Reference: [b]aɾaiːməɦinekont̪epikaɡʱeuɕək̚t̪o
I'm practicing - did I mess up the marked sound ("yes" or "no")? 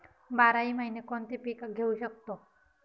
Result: no